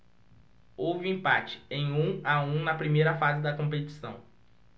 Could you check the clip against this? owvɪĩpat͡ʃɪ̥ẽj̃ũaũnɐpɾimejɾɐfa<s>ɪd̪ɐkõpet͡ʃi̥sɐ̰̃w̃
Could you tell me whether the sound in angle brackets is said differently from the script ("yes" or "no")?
yes